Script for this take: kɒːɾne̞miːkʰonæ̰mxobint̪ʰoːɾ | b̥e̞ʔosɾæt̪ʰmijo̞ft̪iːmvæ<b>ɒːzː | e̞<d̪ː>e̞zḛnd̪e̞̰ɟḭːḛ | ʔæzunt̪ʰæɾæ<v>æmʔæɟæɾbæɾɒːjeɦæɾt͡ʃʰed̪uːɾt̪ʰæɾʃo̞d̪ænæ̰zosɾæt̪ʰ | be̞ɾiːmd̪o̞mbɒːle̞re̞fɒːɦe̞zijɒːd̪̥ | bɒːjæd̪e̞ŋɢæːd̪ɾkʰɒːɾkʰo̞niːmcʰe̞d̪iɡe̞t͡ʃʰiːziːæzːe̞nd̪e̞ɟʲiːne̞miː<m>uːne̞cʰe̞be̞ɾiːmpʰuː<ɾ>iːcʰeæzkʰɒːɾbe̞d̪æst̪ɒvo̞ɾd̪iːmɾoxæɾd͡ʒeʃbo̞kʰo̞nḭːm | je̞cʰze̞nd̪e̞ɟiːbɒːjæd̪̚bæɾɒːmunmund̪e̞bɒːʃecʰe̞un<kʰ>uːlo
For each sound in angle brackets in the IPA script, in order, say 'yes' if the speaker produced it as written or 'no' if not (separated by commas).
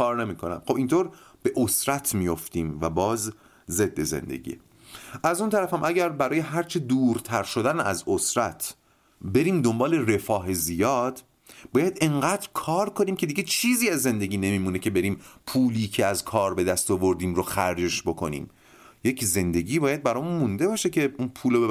yes, yes, no, yes, no, no